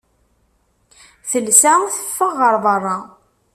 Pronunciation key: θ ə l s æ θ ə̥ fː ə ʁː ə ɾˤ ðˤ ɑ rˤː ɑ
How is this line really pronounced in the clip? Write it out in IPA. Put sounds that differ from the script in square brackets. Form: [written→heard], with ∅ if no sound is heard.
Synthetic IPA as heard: θ ə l s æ θ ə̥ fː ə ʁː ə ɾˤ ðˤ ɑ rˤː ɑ